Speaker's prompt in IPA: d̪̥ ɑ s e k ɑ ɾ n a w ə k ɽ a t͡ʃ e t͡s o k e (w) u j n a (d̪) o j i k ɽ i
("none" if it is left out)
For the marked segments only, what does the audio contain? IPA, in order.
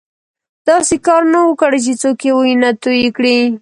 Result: w, t̪

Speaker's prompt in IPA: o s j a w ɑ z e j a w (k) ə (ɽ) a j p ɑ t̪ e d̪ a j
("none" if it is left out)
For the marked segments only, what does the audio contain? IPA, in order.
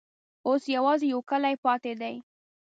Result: k, l

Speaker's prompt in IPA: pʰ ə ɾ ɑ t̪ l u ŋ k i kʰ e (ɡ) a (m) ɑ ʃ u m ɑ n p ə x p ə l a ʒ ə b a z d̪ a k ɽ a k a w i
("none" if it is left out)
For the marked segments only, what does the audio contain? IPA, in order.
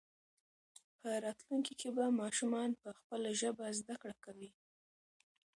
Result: b, m

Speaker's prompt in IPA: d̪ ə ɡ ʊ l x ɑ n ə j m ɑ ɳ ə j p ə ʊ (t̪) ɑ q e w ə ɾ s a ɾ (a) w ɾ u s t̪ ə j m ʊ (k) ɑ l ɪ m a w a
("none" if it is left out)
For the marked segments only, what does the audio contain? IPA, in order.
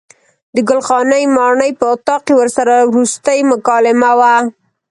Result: t̪, a, k

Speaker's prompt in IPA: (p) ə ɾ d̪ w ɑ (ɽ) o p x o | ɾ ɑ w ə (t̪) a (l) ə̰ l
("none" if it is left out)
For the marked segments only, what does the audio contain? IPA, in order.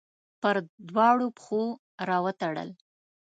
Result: p, ɽ, t̪, ɽ

